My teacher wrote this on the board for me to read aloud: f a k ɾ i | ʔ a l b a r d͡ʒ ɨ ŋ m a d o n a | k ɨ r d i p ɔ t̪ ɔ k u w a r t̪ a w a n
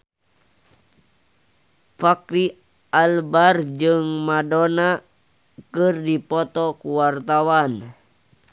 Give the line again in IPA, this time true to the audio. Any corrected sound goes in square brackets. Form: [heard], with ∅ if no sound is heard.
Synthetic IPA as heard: f a k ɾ i | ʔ a l b a r d͡ʒ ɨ ŋ m a d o n a | k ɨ r d i p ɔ t̪ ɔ k u w a r t̪ a w a n